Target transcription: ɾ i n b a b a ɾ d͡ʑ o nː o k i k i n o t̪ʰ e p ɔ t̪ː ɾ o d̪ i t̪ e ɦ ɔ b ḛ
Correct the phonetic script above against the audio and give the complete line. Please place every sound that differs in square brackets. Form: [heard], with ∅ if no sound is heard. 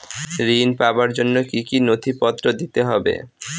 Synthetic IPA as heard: ɾ i n [p] a b a ɾ d͡ʑ o nː o k i k i n o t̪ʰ [i] p ɔ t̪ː ɾ o d̪ i t̪ e ɦ ɔ b ḛ